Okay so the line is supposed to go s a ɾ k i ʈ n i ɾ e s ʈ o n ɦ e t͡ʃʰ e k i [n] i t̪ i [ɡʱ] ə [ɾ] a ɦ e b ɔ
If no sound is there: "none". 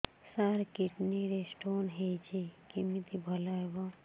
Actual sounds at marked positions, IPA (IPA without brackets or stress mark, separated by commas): m, bʱ, l